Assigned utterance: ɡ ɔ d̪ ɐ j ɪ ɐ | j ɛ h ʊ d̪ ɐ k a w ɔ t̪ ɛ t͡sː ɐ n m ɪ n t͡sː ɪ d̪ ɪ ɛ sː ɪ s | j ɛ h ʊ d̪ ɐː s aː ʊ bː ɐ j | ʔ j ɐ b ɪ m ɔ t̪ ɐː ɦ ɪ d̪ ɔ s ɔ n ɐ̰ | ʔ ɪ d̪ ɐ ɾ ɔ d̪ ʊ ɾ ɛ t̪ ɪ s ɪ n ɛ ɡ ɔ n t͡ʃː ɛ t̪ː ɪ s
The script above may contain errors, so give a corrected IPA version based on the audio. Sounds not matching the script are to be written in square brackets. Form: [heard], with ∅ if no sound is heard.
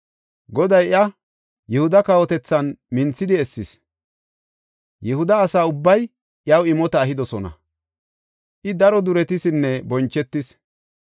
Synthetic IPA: ɡ ɔ d̪ ɐ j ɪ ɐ | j ɛ h ʊ d̪ ɐ k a w ɔ t̪ ɛ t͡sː ɐ n m ɪ n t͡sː ɪ d̪ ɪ ɛ sː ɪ s | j ɛ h ʊ d̪ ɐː s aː ʊ bː ɐ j | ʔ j ɐ [w] ɪ m ɔ t̪ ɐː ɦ ɪ d̪ ɔ s ɔ n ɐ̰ | ʔ ɪ d̪ ɐ ɾ ɔ d̪ ʊ ɾ ɛ t̪ ɪ s ɪ [nː] ɛ [b] ɔ n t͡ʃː ɛ t̪ː ɪ s